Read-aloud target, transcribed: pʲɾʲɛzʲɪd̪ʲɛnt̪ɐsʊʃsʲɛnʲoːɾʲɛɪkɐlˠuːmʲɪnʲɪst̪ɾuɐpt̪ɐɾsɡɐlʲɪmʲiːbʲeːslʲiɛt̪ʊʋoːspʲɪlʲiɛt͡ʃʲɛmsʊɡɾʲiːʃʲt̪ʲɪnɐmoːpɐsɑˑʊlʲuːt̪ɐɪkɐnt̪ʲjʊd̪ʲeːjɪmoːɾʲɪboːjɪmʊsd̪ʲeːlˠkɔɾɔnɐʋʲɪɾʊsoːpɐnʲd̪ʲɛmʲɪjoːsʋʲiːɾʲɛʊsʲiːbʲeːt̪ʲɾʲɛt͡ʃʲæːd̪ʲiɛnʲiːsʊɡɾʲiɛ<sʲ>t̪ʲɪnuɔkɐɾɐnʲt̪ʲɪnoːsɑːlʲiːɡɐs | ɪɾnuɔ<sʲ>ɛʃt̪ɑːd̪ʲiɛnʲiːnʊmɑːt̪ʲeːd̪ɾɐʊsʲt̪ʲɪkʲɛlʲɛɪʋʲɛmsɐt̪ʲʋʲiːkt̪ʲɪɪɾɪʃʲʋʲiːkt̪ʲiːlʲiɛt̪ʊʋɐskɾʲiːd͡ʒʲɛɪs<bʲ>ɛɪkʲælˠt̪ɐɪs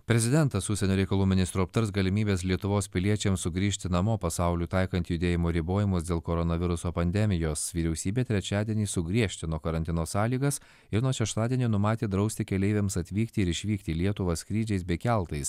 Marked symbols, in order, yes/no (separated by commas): no, no, yes